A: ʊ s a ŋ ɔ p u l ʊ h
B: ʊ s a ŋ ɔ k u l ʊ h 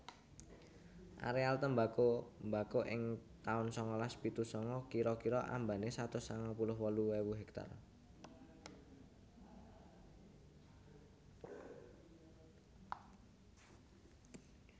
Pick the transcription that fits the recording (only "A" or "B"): A